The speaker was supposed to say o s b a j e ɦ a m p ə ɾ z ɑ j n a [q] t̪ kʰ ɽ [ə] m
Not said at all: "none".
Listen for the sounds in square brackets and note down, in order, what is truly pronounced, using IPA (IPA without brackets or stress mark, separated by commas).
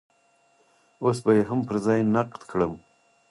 q, ə